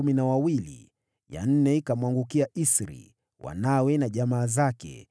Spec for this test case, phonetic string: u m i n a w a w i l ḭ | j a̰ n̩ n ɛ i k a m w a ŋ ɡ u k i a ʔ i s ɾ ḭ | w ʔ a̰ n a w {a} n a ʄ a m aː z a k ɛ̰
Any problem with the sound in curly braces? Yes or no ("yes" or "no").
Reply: yes